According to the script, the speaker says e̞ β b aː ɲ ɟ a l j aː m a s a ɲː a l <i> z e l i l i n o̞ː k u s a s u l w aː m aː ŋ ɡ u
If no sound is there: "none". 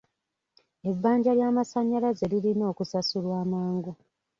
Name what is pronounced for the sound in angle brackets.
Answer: a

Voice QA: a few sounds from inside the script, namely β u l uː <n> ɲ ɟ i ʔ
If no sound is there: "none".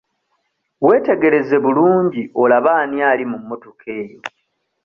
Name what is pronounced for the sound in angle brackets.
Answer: none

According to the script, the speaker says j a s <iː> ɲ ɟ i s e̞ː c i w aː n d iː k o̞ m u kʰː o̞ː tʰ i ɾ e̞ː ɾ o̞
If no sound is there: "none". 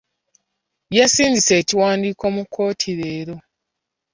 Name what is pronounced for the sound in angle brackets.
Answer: iː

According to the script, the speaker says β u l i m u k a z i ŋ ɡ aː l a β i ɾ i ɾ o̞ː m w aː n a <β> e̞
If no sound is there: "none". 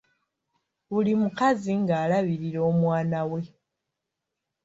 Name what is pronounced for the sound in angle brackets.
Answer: w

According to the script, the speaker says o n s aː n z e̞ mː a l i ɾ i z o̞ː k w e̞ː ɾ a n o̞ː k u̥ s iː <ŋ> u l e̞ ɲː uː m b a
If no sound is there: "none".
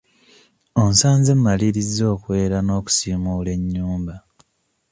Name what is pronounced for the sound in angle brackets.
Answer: m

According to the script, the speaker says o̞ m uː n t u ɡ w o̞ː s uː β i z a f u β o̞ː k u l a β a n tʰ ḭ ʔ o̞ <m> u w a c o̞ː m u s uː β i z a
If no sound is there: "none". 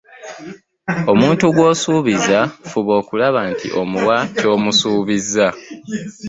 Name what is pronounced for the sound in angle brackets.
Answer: m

